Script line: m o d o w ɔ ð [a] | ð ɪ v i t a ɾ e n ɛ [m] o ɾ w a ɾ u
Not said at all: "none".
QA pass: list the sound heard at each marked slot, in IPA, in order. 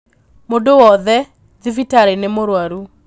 ɛ, m

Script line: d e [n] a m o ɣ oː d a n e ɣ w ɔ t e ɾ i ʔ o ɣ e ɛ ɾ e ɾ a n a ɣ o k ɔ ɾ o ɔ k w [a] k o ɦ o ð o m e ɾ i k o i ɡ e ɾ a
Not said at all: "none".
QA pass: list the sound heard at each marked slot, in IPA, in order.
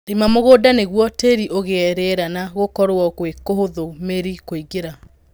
m, e

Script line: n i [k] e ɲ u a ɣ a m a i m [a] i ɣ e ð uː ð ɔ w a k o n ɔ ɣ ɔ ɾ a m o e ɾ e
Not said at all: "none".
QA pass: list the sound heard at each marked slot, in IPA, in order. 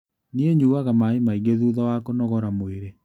none, a

